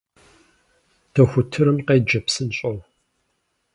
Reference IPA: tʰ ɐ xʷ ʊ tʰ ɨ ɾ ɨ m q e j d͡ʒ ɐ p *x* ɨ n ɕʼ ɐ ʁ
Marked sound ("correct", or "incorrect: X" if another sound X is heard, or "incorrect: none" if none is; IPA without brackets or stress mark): incorrect: s